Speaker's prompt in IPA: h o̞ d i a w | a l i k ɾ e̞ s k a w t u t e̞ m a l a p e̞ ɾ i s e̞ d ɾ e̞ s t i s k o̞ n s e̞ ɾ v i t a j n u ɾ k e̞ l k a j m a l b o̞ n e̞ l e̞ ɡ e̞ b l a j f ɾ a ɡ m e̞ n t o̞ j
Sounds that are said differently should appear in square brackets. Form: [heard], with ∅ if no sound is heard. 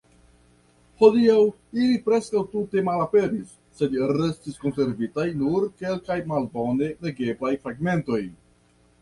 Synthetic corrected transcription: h o̞ d i a w | [i] l i [p] ɾ e̞ s k a w t u t e̞ m a l a p e̞ ɾ i [sː] e̞ d ɾ e̞ s t i s k o̞ n s e̞ ɾ v i t a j n u ɾ k e̞ l k a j m a l b o̞ n e̞ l e̞ ɡ e̞ b l a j f ɾ a ɡ m e̞ n t o̞ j